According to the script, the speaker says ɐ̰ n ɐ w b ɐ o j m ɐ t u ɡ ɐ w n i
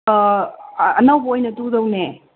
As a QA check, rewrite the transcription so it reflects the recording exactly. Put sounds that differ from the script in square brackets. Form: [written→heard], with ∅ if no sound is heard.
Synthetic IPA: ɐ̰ n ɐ w b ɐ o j [m→n] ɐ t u [ɡ→d] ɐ w n [i→e]